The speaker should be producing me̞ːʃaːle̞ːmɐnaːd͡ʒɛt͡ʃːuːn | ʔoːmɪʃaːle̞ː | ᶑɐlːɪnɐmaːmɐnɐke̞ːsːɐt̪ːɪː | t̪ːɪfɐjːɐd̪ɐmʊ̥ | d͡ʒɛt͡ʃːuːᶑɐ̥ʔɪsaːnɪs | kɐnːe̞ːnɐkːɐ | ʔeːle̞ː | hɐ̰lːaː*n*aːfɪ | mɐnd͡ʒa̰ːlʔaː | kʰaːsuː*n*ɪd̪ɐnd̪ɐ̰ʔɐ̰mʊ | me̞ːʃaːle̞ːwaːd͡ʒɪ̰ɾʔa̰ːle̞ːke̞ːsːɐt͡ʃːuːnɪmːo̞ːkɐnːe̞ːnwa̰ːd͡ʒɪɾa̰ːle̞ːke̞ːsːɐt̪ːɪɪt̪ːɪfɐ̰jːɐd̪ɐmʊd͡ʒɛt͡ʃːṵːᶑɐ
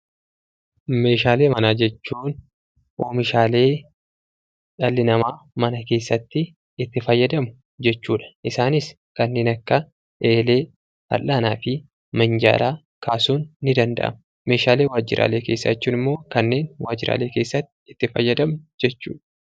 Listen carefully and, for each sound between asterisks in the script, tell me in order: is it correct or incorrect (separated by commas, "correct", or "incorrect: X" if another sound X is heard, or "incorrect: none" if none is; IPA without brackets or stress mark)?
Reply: correct, incorrect: nː